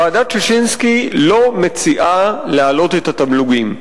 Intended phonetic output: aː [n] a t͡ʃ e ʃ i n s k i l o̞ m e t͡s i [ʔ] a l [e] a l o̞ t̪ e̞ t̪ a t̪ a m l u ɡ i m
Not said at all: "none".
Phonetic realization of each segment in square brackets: d, ʔ, e

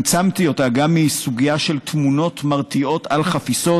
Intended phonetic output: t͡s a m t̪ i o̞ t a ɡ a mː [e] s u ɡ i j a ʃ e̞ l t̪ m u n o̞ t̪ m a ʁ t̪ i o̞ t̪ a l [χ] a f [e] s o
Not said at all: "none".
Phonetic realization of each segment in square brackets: i, χ, i

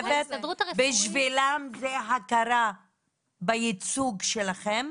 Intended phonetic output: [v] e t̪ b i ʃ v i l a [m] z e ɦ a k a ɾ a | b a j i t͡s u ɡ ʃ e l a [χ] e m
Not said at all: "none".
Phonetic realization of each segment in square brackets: v, m, χ

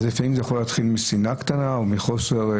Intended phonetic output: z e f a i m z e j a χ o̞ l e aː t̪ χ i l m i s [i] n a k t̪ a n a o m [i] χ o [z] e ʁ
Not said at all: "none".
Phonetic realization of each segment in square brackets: i, i, s

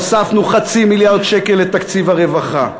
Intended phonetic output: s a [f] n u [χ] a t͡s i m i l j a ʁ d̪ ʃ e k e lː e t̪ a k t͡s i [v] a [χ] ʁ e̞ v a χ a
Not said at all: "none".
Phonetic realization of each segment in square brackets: f, χ, v, none

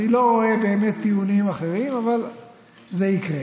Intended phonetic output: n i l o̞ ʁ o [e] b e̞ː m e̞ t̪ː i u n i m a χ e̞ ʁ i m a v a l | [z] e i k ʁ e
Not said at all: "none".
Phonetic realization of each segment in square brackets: e, z

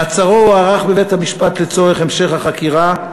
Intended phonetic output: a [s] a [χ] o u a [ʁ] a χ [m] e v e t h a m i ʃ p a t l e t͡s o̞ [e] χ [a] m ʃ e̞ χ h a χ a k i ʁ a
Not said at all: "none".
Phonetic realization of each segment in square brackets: t͡s, ʁ, ʁ, b, e, e

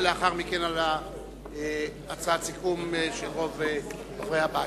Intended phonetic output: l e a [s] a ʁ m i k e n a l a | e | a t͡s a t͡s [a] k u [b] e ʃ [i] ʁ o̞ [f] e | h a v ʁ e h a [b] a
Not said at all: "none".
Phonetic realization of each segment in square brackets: χ, i, m, e, v, b

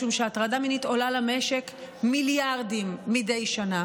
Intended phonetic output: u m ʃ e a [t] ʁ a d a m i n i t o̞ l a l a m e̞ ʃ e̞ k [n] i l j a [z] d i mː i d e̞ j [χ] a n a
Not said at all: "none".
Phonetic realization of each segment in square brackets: t, m, ʁ, ʃ

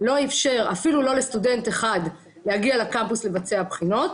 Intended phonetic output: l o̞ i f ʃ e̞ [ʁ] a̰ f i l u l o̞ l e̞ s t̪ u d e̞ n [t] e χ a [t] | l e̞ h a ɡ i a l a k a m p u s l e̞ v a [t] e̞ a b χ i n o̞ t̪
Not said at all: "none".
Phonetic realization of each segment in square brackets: ʁ, t, d, t͡s

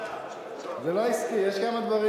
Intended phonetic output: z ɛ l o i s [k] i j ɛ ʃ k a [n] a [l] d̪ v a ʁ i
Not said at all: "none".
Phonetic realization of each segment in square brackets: k, m, none

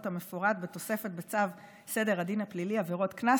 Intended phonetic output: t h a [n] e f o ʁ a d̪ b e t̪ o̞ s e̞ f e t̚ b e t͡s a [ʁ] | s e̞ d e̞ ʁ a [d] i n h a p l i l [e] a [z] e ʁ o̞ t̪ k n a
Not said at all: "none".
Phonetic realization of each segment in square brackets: m, v, d, i, v

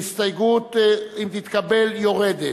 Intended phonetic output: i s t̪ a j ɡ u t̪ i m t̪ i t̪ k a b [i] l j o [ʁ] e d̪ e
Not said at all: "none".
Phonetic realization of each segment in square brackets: e, ʁ

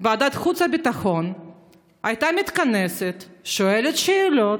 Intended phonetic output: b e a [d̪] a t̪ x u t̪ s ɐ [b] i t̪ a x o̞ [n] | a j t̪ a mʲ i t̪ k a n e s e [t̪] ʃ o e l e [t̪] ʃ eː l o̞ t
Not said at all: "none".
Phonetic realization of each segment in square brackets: d̪, b, n, t̪, t̪

